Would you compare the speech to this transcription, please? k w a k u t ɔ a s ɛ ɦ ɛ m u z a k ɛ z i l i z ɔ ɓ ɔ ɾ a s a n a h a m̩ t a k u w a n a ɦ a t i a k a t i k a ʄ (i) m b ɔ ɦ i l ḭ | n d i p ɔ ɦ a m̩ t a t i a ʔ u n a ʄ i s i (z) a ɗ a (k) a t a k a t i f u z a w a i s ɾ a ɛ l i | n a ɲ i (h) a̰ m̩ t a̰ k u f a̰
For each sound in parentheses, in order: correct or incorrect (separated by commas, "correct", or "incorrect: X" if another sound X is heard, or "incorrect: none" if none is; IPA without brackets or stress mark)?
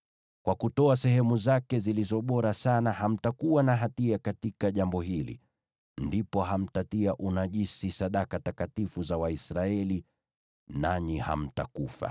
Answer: incorrect: a, incorrect: s, correct, correct